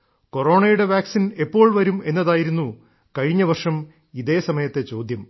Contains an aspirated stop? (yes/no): no